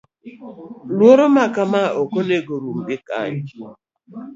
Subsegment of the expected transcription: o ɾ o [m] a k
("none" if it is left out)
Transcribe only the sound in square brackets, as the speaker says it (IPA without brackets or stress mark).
m